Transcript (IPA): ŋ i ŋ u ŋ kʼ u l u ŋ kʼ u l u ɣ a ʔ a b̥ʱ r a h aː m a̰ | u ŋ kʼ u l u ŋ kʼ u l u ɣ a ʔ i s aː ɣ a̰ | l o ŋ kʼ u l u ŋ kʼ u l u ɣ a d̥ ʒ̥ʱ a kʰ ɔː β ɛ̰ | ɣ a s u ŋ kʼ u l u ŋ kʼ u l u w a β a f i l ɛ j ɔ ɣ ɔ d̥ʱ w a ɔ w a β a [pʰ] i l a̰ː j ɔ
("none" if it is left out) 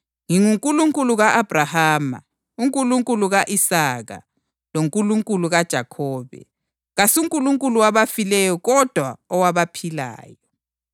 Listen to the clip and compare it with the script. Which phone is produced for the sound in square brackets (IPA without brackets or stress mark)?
pʰ